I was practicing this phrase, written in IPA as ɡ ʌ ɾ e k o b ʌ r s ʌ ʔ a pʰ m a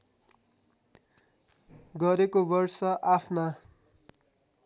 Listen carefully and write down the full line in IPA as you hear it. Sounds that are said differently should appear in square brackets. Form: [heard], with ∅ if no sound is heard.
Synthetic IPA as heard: ɡ ʌ ɾ e k o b ʌ r s ʌ ʔ a pʰ [n] a

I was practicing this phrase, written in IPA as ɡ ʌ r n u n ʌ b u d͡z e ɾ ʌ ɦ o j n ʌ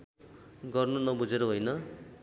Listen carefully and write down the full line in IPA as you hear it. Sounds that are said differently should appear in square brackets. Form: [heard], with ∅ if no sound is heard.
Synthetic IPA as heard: ɡ ʌ r n u n ʌ b u d͡z e ɾ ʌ ɦ o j n ʌ

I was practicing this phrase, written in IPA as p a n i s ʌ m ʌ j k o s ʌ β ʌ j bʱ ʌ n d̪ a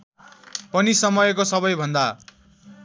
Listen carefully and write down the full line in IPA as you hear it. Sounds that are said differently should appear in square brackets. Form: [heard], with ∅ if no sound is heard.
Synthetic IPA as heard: p [ʌ] n i s ʌ m ʌ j k o s ʌ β ʌ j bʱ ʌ n d̪ a

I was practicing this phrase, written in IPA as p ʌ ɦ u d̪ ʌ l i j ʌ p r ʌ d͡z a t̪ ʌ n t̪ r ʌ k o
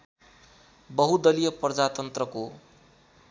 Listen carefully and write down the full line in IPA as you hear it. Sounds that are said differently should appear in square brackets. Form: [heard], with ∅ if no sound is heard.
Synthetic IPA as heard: [b] ʌ ɦ u d̪ ʌ l i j ʌ p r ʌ d͡z a t̪ ʌ n t̪ r ʌ k o

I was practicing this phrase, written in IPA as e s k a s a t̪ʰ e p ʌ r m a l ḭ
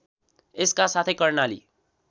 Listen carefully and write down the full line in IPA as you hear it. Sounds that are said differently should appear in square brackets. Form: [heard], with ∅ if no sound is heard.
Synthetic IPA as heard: e s k a s a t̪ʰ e [k] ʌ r [n] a l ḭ

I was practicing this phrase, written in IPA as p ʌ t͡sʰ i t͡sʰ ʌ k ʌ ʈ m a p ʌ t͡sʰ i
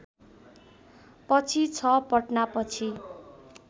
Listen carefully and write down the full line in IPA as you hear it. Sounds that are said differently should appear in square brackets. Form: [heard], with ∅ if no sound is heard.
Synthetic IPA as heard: p ʌ t͡sʰ i t͡sʰ ʌ [p] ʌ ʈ [n] a p ʌ t͡sʰ i

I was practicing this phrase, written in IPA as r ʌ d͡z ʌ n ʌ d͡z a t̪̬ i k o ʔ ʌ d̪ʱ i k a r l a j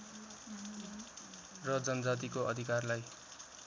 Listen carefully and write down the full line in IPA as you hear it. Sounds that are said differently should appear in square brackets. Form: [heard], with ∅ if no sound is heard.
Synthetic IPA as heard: r ʌ d͡z ʌ n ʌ d͡z a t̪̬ i k o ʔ ʌ d̪ʱ i k a r l a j

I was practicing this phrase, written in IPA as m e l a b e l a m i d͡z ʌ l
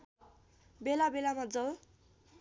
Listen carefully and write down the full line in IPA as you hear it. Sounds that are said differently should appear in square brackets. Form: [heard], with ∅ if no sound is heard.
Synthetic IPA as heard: [b] e l a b e l a m [a] d͡z ʌ l

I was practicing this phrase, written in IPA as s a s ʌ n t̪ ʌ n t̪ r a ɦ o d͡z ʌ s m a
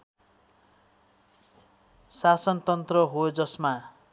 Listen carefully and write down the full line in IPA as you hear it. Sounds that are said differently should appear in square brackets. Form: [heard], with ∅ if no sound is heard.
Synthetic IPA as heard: s a s ʌ n t̪ ʌ n t̪ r [ʌ] ɦ o d͡z ʌ s m a

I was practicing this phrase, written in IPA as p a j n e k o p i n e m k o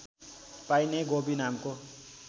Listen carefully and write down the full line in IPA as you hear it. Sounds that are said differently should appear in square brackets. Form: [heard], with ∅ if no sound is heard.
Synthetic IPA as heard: p a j n e [ɡ] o [b] i n [a] m k o

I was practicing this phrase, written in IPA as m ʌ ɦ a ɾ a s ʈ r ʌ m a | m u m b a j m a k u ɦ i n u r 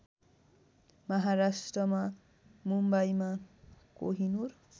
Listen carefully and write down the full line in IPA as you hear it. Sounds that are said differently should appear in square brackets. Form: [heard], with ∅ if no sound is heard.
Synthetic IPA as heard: m ʌ ɦ a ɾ a s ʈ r ʌ m a | m u m b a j m a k [o] ɦ i n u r

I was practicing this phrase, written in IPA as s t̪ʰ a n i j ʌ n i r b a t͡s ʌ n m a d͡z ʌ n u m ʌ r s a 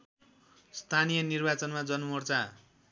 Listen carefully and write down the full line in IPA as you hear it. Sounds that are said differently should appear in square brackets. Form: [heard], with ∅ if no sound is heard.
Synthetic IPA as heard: s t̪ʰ a n i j ʌ n i r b a t͡s ʌ n m a d͡z ʌ n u m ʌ r [t͡s] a

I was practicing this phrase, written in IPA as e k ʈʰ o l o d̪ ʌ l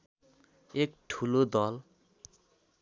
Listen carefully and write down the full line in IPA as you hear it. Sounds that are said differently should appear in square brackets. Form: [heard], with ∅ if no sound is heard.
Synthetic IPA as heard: e k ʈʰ [u] l o d̪ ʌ l

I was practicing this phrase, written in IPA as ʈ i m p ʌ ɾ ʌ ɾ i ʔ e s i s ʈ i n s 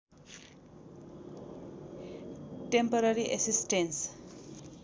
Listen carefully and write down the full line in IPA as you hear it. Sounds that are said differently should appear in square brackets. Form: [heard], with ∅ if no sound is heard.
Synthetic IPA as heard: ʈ [e] m p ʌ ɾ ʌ ɾ i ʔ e s i s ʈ [e] n s

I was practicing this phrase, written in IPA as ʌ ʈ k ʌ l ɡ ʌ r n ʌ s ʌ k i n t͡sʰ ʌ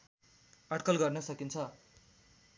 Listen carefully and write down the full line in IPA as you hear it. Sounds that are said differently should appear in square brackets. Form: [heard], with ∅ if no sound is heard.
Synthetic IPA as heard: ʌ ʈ k ʌ l ɡ ʌ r n ʌ s ʌ k i n t͡sʰ ʌ

